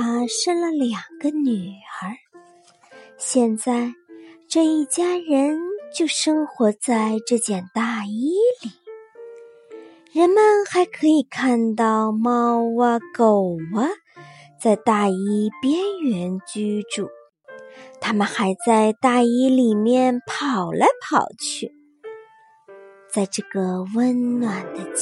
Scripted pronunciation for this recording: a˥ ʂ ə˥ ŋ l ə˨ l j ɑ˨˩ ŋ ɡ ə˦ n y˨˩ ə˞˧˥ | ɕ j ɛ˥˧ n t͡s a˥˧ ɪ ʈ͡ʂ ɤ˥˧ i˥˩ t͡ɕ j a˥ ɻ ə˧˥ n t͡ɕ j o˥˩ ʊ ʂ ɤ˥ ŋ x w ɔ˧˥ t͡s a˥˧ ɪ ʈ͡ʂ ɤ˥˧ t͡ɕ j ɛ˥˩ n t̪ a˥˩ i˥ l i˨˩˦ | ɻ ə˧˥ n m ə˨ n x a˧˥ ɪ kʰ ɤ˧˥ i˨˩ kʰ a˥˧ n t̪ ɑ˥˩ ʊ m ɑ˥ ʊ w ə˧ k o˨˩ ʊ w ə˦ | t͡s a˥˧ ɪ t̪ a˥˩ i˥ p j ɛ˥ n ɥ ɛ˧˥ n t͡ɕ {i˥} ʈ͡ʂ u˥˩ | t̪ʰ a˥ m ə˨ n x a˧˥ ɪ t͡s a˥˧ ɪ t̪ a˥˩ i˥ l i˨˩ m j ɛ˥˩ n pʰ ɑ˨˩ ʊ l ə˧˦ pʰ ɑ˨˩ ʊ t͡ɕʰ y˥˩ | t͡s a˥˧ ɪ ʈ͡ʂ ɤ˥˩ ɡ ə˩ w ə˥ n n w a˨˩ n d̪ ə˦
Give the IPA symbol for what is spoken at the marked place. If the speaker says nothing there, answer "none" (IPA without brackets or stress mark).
y˥